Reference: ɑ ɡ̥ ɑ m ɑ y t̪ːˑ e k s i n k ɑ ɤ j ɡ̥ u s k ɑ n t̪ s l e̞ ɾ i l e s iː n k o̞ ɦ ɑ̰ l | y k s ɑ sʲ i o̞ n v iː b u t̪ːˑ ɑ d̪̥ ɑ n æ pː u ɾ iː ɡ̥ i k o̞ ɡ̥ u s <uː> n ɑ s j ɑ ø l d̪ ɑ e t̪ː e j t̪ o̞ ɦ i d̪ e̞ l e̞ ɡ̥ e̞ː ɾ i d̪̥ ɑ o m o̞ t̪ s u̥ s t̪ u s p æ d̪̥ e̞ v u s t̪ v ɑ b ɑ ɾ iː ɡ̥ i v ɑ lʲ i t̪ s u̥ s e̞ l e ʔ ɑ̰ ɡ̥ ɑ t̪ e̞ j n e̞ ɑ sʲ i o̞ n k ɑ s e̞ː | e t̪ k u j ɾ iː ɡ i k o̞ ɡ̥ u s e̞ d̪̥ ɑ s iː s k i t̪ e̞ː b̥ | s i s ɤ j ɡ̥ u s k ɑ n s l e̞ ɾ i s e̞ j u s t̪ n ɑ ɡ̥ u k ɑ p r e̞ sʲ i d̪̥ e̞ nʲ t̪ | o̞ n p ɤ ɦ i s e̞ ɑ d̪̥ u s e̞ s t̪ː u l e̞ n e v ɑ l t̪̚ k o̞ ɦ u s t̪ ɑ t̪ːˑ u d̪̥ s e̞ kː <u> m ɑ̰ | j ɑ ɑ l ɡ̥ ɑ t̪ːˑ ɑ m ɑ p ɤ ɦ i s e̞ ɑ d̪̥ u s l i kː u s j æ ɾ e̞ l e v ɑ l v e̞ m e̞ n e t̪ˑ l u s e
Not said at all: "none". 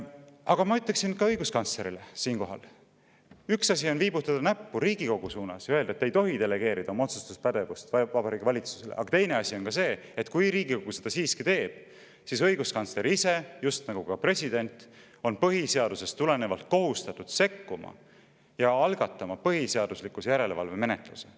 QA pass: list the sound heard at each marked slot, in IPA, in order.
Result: uː, u

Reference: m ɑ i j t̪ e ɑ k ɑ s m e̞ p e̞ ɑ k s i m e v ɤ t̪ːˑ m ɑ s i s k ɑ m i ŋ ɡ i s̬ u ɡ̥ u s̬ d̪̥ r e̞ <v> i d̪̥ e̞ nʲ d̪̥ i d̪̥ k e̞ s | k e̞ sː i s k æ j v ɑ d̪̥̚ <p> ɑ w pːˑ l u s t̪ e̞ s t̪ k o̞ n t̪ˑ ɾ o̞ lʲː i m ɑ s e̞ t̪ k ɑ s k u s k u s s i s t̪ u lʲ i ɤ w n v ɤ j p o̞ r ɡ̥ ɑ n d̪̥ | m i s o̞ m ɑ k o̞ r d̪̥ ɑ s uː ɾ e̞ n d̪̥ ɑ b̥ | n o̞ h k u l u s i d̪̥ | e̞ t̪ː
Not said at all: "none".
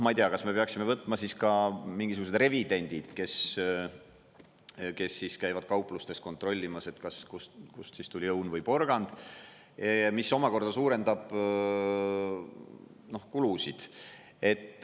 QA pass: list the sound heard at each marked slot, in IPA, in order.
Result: v, k

